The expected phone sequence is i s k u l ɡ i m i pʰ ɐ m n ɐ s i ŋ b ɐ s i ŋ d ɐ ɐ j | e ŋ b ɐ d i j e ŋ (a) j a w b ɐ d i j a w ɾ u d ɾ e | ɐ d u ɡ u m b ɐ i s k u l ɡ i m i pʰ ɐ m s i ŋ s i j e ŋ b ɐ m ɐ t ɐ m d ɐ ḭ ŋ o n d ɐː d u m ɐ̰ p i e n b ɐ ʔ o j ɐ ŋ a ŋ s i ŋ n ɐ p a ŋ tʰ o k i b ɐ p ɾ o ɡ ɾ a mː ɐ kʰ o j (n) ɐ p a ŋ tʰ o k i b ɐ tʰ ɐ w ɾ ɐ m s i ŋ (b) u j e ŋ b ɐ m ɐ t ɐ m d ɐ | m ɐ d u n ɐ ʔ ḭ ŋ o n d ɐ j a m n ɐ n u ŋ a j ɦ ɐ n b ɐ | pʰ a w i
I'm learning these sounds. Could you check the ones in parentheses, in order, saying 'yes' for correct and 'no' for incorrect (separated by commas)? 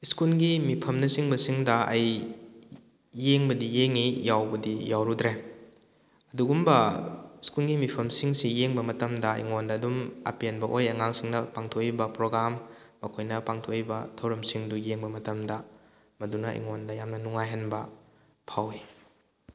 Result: no, yes, no